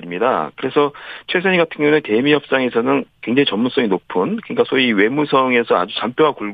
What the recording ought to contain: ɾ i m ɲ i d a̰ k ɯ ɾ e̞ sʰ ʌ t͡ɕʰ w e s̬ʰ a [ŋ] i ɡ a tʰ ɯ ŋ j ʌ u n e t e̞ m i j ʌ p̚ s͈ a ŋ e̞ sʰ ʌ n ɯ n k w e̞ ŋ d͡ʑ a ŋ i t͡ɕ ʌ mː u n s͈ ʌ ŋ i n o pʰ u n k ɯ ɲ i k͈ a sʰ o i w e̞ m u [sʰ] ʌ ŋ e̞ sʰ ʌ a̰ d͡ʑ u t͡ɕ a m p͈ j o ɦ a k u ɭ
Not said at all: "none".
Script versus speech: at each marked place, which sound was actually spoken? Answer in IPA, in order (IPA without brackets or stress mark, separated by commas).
ɲ, sʰ